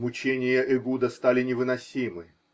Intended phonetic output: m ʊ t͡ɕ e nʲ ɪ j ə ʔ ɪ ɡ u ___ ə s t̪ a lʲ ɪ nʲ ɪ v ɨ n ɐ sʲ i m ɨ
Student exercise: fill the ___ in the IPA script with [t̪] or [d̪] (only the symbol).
d̪